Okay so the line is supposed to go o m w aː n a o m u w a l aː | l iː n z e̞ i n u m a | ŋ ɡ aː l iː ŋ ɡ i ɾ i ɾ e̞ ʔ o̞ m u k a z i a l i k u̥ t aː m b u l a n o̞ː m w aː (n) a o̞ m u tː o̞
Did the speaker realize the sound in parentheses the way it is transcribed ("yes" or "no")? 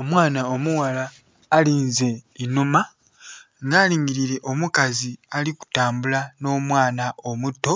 yes